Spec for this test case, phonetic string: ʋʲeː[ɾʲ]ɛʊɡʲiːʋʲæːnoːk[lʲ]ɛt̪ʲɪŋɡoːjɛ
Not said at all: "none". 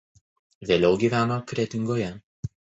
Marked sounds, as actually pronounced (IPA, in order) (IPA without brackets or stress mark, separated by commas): lʲ, ɾʲ